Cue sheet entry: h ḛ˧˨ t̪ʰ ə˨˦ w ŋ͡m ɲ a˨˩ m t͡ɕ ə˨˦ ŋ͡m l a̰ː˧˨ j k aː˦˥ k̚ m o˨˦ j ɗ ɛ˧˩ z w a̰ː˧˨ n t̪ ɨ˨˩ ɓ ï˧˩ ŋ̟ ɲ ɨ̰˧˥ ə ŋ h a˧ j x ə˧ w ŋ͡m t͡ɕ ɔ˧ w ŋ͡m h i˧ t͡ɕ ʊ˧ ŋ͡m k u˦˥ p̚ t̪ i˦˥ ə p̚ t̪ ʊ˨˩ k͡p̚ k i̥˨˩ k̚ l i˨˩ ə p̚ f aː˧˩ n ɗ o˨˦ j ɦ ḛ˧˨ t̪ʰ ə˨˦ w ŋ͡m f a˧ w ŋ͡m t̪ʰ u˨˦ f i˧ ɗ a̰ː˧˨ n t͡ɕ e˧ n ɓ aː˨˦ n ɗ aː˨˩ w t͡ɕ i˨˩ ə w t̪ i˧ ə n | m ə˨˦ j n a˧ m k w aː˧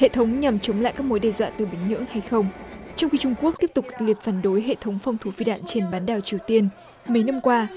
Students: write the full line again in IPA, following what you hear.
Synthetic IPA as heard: h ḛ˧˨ t̪ʰ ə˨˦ w ŋ͡m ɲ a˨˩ m t͡ɕ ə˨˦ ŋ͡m l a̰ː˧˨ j k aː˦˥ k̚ m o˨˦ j ɗ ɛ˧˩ z w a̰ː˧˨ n t̪ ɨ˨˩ ɓ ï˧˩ ŋ̟ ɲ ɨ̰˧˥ ə ŋ h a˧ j x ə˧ w ŋ͡m t͡ɕ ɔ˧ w ŋ͡m x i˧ t͡ɕ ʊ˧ ŋ͡m k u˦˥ k̚ t̪ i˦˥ ə p̚ t̪ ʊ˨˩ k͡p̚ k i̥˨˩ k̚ l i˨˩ ə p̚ f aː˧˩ n ɗ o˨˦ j ɦ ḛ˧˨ t̪ʰ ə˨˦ w ŋ͡m f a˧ w ŋ͡m t̪ʰ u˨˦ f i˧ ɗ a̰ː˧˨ n t͡ɕ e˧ n ɓ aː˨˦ n ɗ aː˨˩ w t͡ɕ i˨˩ ə w t̪ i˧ ə n | m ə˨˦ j n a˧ m k w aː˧